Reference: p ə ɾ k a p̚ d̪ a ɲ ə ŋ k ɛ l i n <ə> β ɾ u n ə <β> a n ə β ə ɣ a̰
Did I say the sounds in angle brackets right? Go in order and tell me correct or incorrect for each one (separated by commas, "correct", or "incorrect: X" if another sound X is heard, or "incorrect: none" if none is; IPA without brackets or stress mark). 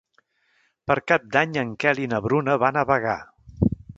correct, correct